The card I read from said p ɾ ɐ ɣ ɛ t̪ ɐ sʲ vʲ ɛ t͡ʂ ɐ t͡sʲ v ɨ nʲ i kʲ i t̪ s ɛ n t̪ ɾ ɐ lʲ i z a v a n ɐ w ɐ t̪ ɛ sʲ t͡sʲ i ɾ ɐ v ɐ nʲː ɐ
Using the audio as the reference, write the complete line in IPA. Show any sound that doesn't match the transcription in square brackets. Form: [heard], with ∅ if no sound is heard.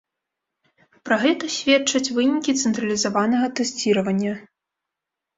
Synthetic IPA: p ɾ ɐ ɣ ɛ t̪ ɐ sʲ vʲ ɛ t͡ʂ ɐ t͡sʲ v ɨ nʲ i kʲ i t̪ s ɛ n t̪ ɾ ɐ lʲ i z a v a n ɐ [ɣ] ɐ t̪ ɛ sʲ t͡sʲ i ɾ ɐ v ɐ nʲː ɐ